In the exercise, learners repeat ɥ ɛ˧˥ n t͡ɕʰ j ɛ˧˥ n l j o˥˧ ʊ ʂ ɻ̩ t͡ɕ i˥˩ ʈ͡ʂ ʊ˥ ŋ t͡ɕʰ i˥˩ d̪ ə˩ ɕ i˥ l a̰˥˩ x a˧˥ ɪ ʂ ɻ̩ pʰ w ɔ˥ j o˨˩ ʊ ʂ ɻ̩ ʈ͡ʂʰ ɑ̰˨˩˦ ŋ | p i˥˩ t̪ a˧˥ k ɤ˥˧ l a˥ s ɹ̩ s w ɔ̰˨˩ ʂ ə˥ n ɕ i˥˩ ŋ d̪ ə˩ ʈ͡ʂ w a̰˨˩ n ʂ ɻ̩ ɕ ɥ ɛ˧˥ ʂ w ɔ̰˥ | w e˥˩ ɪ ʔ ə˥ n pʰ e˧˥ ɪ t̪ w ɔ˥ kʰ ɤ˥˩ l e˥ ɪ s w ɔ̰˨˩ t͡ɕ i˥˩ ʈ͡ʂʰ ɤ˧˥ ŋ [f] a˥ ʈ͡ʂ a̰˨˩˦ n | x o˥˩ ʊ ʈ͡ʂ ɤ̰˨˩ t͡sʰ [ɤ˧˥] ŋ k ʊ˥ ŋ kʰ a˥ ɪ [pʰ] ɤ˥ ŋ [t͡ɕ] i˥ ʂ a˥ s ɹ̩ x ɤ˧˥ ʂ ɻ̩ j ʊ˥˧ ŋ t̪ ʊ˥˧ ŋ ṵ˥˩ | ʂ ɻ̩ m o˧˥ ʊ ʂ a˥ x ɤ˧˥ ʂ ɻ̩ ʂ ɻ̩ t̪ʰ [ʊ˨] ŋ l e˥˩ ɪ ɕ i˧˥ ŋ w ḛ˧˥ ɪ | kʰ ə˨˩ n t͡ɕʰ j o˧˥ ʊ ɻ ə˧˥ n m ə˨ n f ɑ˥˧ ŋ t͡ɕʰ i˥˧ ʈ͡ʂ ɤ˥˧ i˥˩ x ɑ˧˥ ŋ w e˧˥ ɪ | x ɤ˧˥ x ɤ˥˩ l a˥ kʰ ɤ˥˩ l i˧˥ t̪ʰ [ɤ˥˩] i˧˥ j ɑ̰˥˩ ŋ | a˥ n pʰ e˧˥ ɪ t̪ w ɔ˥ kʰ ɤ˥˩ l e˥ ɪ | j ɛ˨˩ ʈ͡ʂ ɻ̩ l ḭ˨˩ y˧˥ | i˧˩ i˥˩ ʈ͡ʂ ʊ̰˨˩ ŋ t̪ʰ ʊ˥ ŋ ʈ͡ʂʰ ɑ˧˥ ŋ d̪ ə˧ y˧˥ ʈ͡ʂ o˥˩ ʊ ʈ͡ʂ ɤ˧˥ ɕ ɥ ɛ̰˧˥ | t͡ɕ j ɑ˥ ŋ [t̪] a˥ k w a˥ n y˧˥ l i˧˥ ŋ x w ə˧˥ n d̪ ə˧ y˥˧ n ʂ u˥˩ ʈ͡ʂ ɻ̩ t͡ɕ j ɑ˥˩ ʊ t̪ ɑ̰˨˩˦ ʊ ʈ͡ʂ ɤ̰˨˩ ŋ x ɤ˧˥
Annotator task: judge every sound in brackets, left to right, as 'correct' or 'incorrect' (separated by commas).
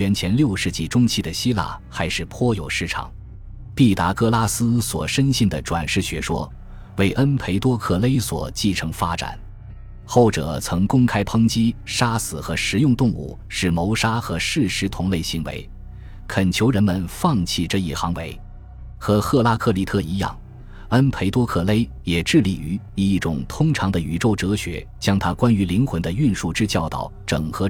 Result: correct, correct, correct, correct, incorrect, correct, incorrect